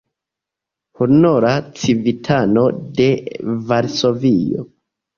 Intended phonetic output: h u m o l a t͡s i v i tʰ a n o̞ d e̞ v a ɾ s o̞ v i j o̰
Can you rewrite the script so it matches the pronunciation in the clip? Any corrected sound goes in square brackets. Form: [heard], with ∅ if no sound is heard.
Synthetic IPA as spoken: h u [n] o [ɾ] a t͡s i v i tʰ a n o̞ d e̞ v a ɾ s o̞ v i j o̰